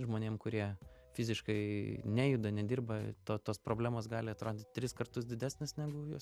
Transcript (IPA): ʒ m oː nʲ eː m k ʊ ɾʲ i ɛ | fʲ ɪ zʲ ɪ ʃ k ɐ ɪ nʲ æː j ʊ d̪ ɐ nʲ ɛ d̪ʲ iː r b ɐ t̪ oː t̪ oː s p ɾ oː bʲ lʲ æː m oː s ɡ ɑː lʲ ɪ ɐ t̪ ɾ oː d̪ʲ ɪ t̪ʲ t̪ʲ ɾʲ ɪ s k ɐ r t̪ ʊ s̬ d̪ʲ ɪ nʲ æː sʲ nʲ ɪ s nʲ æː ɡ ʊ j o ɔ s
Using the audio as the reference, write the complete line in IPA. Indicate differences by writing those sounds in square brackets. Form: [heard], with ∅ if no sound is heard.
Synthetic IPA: ʒ m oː nʲ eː m k ʊ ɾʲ i ɛ | fʲ ɪ zʲ ɪ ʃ k ɐ ɪ nʲ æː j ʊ d̪ ɐ nʲ ɛ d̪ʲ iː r b ɐ t̪ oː t̪ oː s p ɾ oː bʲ lʲ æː m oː s ɡ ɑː lʲ ɪ ɐ t̪ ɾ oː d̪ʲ ɪ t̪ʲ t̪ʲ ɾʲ ɪ s k ɐ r t̪ ʊ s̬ d̪ʲ ɪ [dʲ] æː sʲ nʲ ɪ s nʲ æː ɡ ʊ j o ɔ s